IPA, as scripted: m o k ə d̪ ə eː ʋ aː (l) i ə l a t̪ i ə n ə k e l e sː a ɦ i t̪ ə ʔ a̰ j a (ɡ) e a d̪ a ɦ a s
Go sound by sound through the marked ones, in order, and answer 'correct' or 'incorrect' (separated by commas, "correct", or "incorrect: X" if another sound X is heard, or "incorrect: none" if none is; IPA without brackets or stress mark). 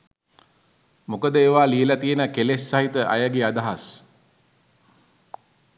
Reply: correct, correct